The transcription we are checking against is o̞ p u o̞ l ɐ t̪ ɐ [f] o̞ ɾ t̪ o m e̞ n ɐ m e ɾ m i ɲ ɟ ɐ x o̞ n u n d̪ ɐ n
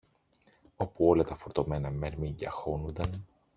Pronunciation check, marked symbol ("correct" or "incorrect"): correct